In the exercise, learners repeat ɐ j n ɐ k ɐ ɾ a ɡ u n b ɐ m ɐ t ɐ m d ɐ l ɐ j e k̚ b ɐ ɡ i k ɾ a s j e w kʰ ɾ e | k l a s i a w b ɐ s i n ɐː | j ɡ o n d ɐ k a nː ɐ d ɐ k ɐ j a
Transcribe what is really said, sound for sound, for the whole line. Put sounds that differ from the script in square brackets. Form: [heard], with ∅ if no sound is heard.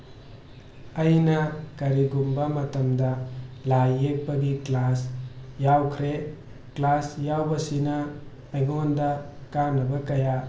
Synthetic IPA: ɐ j n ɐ k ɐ ɾ [i] ɡ u [m] b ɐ m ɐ t ɐ m d ɐ l [a] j e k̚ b ɐ ɡ i k [l] a s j [a] w kʰ ɾ e | k l a s [j] a w b ɐ s i n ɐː | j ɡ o n d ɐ k a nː ɐ [b] ɐ k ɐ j a